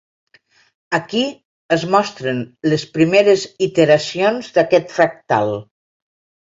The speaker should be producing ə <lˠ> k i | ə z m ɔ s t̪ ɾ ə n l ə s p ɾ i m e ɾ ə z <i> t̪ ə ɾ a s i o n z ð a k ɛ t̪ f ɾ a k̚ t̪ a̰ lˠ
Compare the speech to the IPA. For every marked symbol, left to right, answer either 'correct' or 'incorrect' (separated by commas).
incorrect, correct